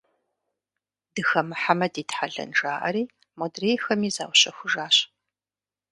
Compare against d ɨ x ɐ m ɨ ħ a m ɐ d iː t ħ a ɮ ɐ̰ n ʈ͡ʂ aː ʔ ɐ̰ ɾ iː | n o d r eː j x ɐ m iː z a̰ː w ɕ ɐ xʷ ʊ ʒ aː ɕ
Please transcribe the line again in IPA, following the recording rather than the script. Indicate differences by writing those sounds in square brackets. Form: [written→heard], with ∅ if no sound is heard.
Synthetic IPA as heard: d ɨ x ɐ m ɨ ħ a m ɐ d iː t ħ a ɮ ɐ̰ n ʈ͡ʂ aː ʔ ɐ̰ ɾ iː | [n→m] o d r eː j x ɐ m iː z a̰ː w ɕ ɐ xʷ ʊ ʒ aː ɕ